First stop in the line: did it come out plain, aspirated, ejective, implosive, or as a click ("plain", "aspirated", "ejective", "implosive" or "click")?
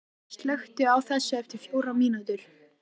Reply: plain